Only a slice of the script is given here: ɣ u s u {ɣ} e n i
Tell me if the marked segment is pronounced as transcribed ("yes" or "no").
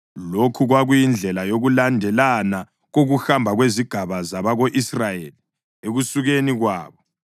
yes